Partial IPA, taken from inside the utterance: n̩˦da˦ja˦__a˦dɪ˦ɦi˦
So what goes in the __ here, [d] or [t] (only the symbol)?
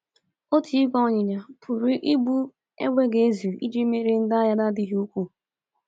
d